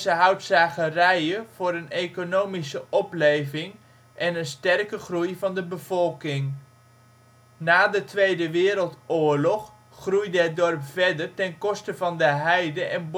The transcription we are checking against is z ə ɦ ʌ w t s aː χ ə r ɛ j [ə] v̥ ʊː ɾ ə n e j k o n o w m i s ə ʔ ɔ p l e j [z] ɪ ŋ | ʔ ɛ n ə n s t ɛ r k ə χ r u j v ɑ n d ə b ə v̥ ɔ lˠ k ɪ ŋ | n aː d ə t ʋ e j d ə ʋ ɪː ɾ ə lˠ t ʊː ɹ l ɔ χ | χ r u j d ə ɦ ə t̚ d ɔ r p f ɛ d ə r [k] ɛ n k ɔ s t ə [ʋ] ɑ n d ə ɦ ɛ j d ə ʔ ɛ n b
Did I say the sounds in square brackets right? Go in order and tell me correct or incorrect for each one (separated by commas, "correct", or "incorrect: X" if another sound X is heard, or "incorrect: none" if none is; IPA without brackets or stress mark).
correct, incorrect: v, incorrect: t, incorrect: v